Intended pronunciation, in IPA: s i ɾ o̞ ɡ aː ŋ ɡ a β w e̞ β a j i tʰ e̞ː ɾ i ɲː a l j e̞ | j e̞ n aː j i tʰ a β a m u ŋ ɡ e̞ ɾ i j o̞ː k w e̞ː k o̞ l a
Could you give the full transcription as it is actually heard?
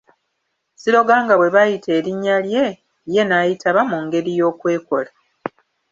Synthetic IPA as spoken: s i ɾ o̞ ɡ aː ŋ ɡ a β w e̞ β a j i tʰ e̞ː ɾ i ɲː a l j e̞ | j e̞ n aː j i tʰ a β a m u ŋ ɡ e̞ ɾ i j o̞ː k w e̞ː k o̞ l a